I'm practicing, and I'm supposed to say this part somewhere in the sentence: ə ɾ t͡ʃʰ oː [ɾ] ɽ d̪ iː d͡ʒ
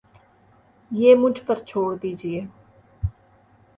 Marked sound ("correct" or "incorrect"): incorrect